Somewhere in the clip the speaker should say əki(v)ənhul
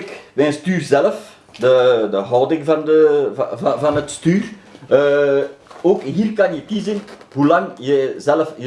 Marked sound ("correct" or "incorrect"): incorrect